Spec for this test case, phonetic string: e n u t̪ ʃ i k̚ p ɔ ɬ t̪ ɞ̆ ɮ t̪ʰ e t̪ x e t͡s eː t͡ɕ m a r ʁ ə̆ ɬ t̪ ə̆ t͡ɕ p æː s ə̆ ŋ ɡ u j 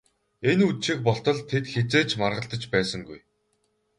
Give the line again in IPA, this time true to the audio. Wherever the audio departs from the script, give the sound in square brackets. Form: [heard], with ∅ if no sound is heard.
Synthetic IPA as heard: e n u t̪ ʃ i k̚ p ɔ ɬ t̪ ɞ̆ ɮ t̪ʰ e t̪ x e t͡s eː t͡ɕ m a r ʁ ə̆ ɬ t̪ ə̆ t͡ɕ p æː s ə̆ ŋ ɡ u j